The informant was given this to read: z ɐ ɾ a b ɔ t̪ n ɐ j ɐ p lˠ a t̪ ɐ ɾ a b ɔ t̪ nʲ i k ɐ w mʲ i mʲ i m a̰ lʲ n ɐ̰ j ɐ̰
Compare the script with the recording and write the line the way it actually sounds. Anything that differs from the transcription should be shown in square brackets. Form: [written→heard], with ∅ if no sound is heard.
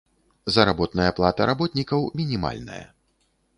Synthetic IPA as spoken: z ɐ ɾ a b ɔ t̪ n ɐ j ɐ p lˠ a t̪ ɐ ɾ a b ɔ t̪ nʲ i k ɐ w mʲ i [mʲ→nʲ] i m a̰ lʲ n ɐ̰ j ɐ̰